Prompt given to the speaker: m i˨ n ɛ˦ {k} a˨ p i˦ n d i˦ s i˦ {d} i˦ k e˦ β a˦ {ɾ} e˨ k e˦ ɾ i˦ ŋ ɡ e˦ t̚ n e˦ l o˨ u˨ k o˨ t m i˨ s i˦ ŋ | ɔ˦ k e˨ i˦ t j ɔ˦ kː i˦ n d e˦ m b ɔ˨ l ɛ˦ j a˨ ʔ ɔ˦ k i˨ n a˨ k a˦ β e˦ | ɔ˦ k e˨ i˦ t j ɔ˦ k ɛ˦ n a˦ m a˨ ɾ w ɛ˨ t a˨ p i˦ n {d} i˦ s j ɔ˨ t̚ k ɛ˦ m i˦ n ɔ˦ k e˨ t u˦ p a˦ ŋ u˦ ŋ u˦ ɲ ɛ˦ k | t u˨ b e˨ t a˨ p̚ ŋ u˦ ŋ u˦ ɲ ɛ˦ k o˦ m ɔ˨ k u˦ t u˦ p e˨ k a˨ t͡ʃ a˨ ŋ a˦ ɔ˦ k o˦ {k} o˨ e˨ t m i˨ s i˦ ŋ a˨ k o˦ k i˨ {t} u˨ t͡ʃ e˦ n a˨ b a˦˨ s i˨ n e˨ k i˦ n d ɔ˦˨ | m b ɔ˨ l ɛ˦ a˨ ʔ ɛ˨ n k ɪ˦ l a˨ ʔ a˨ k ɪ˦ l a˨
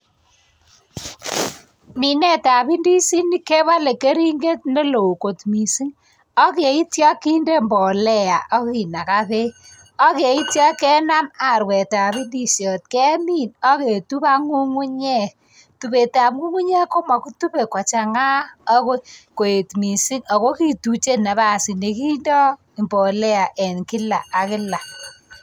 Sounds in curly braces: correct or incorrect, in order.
incorrect: t, incorrect: n, incorrect: l, correct, correct, correct

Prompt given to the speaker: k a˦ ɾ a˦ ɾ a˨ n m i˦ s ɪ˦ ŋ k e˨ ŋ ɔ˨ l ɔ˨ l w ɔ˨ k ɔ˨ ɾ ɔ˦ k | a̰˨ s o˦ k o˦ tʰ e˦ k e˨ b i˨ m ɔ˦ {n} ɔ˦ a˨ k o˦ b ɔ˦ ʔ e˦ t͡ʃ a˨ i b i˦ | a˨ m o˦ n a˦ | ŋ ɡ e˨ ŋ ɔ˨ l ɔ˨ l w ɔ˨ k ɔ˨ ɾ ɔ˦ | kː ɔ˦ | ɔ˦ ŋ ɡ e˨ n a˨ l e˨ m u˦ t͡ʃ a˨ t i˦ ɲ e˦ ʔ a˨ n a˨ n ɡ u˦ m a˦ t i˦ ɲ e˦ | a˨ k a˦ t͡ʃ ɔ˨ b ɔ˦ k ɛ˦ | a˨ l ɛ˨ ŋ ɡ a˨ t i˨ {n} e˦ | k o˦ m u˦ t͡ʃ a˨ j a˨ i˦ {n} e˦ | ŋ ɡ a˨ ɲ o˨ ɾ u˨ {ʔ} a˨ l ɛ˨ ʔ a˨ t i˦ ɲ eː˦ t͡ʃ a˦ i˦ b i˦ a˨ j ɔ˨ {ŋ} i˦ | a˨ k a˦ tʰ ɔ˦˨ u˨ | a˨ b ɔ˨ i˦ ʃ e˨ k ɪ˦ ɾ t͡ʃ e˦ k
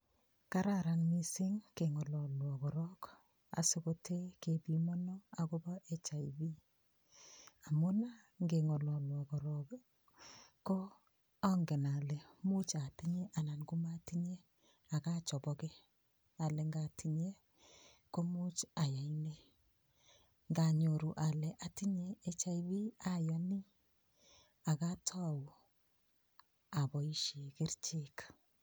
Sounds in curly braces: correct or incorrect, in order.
correct, incorrect: ɲ, correct, correct, incorrect: n

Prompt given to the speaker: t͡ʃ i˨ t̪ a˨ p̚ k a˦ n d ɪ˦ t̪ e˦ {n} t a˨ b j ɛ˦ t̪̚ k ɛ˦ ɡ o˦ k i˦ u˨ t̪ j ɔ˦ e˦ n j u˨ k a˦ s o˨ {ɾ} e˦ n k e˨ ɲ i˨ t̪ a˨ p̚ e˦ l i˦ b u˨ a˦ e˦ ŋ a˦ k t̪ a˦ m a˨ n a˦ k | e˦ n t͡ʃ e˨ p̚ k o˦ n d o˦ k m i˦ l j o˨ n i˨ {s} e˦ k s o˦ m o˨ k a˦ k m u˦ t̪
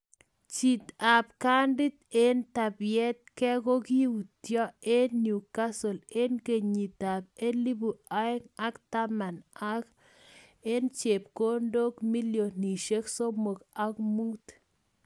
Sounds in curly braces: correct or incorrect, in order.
correct, incorrect: l, incorrect: ʃ

